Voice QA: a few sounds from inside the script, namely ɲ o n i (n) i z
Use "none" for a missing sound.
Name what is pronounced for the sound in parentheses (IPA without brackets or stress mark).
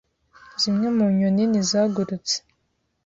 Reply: n